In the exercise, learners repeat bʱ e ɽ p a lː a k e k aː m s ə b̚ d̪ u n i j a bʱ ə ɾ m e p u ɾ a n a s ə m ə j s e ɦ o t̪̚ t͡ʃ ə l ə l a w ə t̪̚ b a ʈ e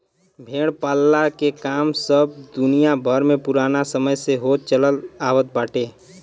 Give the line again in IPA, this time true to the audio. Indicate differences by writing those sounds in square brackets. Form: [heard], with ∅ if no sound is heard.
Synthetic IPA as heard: bʱ e ɽ p a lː a k e k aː m s ə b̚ d̪ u n i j a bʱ ə ɾ m e p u ɾ a n a s ə m ə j s e ɦ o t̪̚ t͡ʃ ə l ə l a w ə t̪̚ b a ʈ e